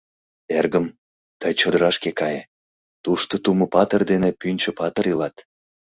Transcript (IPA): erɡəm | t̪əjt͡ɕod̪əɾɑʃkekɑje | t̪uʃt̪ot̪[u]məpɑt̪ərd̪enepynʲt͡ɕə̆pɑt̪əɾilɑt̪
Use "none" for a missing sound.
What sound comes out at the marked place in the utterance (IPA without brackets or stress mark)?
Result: u